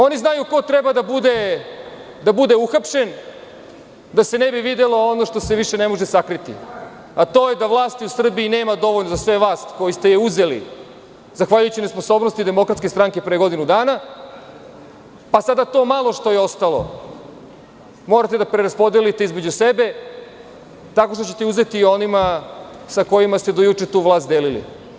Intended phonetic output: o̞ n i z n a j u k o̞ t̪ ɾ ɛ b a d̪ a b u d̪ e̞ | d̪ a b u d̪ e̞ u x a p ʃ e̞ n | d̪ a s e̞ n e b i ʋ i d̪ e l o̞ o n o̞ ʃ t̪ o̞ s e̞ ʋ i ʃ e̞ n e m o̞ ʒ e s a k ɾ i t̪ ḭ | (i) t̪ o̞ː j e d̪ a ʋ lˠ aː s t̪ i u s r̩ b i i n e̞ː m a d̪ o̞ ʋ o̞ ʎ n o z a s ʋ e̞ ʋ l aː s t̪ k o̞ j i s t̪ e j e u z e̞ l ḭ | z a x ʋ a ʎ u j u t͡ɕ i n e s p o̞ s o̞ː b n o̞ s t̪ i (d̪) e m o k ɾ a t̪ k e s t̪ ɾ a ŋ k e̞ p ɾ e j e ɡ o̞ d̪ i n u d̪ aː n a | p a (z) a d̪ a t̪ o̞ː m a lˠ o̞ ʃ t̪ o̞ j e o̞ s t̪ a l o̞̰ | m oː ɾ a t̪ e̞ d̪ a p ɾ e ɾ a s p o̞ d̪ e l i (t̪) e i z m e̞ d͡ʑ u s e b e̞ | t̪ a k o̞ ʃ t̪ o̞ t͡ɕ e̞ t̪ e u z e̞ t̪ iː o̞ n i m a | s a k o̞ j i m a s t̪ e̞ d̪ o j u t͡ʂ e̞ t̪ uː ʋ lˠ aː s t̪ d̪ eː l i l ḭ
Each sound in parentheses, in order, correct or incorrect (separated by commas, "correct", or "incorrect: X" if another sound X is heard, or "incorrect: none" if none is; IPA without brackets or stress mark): incorrect: a, correct, incorrect: s, correct